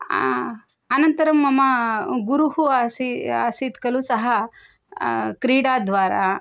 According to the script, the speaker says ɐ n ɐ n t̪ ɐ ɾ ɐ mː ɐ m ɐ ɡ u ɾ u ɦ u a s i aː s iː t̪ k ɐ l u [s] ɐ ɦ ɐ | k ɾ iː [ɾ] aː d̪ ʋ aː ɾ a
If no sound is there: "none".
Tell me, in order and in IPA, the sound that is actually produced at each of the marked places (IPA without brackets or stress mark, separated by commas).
s, ɽ